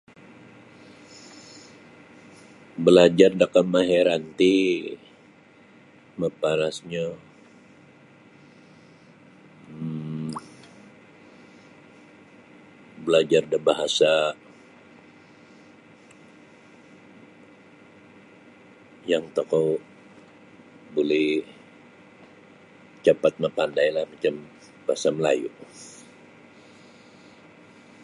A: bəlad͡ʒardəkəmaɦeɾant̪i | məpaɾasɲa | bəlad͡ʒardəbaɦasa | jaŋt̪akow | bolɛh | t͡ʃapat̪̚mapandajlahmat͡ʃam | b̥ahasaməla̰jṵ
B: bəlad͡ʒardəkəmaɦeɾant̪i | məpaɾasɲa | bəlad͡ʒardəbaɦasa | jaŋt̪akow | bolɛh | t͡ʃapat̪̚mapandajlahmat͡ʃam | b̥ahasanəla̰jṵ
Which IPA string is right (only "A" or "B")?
A